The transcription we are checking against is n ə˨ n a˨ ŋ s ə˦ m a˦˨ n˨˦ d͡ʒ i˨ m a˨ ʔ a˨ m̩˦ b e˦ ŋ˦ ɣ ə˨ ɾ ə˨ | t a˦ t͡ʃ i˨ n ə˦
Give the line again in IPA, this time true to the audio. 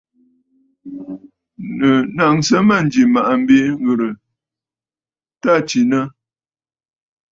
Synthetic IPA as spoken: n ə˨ n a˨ ŋ s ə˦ m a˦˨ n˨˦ d͡ʒ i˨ m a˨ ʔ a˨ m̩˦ b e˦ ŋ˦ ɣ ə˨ ɾ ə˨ | t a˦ t͡ʃ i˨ n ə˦